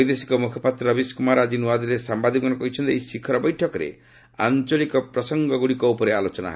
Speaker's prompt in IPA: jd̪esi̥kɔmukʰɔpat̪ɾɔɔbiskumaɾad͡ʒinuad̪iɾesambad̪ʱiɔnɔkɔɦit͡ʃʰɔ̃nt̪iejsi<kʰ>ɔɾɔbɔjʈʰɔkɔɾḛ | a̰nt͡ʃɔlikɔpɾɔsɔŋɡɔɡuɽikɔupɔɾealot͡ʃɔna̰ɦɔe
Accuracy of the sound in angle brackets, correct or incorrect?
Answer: correct